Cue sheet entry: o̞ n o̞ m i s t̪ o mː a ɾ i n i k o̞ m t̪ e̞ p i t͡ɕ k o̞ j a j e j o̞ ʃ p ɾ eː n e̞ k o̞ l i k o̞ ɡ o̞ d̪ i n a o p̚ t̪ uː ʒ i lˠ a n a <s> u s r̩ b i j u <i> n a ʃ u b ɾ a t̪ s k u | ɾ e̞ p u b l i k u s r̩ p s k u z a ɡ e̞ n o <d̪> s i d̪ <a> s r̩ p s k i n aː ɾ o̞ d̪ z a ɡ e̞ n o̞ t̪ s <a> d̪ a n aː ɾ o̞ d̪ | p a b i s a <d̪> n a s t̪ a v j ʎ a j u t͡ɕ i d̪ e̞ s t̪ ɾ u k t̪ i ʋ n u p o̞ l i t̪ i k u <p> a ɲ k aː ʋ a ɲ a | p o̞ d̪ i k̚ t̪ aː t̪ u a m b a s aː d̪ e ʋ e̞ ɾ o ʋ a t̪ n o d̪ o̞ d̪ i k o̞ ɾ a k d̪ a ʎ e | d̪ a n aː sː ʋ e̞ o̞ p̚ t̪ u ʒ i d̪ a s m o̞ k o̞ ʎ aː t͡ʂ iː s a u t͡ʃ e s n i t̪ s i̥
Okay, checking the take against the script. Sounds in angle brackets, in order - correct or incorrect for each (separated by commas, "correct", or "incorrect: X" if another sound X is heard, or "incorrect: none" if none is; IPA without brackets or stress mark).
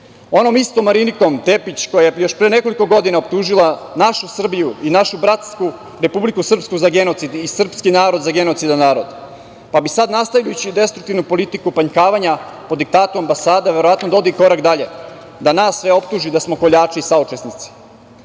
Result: incorrect: ʃ, correct, incorrect: t̪, incorrect: i, incorrect: i, correct, correct